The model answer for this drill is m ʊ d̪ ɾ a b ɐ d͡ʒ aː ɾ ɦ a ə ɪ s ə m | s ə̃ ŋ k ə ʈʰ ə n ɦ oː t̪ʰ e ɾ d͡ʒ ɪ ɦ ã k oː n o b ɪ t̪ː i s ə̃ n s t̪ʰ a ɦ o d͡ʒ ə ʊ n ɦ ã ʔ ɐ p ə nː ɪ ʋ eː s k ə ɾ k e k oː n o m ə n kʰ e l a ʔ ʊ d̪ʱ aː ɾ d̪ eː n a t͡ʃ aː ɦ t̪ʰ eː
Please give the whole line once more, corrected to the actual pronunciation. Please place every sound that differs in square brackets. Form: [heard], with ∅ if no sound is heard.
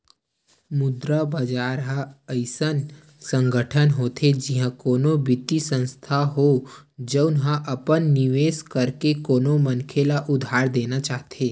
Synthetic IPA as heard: m ʊ d̪ ɾ a b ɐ d͡ʒ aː ɾ ɦ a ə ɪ s ə [n] | s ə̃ ŋ [ɡ] ə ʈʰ ə n ɦ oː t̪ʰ e [∅] d͡ʒ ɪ ɦ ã k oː n o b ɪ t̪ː i s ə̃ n s t̪ʰ a ɦ o d͡ʒ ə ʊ n ɦ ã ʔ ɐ p ə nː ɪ ʋ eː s k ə ɾ k e k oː n o m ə n kʰ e l a ʔ ʊ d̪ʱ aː ɾ d̪ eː n a t͡ʃ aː ɦ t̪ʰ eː